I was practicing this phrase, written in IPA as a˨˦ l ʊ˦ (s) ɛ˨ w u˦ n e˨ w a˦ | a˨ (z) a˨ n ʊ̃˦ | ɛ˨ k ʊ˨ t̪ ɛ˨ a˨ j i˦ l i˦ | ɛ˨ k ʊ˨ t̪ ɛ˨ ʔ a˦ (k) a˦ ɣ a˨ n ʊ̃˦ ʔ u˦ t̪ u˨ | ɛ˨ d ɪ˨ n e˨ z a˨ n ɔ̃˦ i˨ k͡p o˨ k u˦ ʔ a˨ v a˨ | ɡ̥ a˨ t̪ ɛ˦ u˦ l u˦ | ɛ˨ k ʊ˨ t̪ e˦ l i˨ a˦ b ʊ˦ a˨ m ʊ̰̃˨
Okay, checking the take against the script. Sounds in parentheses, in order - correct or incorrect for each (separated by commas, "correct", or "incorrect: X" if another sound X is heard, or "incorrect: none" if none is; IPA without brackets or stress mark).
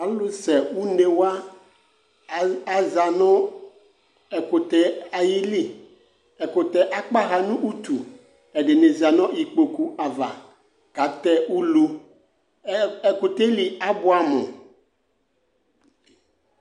correct, correct, incorrect: k͡p